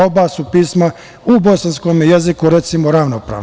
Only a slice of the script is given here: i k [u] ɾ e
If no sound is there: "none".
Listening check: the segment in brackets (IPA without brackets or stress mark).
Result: u